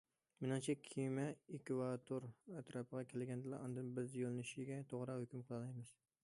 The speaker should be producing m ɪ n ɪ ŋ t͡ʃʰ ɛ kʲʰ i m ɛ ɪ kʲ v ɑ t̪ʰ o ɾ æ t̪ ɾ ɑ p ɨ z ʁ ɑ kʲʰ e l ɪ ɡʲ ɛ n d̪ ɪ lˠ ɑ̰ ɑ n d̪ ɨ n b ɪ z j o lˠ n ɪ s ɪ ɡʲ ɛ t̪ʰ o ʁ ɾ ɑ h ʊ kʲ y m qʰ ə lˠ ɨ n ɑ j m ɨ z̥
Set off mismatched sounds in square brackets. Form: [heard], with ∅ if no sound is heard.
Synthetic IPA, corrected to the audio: m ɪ n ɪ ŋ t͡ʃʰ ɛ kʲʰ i m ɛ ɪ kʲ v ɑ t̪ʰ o ɾ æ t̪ ɾ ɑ p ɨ [∅] ʁ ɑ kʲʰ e l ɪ ɡʲ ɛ n d̪ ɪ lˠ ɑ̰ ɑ n d̪ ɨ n b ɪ z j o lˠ n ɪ [ʃ] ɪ ɡʲ ɛ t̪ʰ o ʁ ɾ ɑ h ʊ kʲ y m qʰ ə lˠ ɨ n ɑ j m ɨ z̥